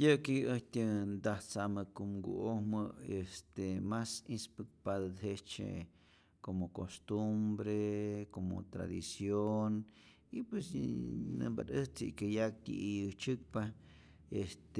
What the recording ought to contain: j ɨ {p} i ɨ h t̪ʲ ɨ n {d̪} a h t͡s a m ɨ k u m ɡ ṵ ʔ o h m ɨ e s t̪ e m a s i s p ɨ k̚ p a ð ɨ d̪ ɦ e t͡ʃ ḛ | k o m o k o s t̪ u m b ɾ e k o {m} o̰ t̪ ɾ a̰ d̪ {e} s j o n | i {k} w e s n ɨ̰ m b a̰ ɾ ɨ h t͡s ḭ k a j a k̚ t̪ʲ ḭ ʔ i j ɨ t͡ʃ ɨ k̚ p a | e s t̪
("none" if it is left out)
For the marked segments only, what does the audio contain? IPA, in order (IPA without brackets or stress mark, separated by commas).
k, d̪, m, i, p